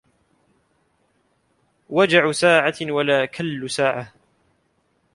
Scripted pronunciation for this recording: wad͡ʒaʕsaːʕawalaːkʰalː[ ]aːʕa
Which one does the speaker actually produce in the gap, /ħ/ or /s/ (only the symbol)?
s